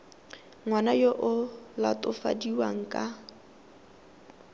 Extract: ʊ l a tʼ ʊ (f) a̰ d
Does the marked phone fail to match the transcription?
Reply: no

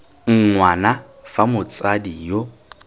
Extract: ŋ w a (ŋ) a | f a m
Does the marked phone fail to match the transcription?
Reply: yes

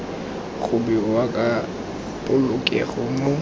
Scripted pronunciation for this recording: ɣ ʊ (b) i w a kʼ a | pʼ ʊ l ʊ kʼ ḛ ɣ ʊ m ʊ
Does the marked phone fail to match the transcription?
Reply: no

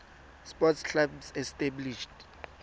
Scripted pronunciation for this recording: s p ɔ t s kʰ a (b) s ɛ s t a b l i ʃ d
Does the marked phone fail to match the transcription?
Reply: no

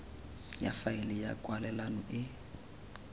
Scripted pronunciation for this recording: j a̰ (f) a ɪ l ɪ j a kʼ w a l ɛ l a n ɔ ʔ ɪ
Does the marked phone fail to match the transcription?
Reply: no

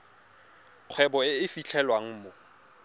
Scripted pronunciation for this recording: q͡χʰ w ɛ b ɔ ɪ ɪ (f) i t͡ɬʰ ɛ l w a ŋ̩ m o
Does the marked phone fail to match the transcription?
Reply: no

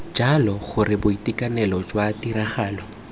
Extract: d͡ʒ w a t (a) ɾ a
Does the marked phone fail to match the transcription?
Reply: yes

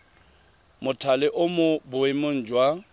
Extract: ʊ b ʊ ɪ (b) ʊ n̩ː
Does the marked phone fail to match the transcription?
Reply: yes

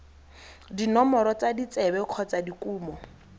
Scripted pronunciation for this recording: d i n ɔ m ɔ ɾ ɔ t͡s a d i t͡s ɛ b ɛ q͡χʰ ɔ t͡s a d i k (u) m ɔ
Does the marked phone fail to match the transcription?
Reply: yes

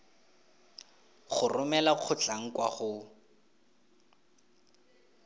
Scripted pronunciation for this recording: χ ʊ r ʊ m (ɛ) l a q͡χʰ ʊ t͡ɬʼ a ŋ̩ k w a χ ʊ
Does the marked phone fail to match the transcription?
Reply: no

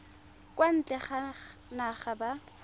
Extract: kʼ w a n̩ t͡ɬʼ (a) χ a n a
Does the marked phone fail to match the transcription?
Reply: yes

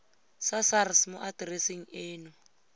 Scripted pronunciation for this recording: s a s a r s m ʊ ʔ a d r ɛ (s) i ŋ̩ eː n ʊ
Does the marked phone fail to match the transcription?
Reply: no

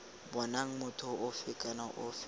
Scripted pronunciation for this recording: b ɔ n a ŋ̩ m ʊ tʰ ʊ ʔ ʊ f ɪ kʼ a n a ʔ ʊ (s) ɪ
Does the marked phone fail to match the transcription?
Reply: yes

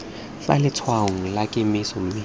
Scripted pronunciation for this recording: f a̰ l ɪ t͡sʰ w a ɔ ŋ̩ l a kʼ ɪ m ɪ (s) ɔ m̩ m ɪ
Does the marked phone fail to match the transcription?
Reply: no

